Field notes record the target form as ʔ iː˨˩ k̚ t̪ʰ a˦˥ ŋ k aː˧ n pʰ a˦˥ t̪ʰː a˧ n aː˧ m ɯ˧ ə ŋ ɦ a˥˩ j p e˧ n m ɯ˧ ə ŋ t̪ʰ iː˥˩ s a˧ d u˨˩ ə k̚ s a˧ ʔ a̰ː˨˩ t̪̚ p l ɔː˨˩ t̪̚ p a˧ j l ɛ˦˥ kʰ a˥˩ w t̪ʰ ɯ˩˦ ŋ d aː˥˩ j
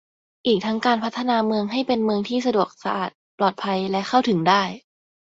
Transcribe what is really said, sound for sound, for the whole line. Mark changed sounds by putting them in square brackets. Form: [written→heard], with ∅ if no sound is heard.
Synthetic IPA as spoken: ʔ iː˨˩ k̚ t̪ʰ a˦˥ ŋ k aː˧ n pʰ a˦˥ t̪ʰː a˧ n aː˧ m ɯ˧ ə ŋ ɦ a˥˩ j p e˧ n m ɯ˧ ə ŋ t̪ʰ iː˥˩ s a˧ d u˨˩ ə k̚ s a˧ ʔ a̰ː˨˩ t̪̚ p l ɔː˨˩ t̪̚ [p→pʰ] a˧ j l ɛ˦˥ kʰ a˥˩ w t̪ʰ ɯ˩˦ ŋ d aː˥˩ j